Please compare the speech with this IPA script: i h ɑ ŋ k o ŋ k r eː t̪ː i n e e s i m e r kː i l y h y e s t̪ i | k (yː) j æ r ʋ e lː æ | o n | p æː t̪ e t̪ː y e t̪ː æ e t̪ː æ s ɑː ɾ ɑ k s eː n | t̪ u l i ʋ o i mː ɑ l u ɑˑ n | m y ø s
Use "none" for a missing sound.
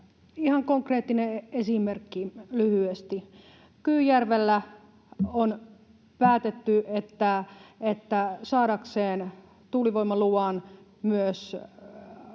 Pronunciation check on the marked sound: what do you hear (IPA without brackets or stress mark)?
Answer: yː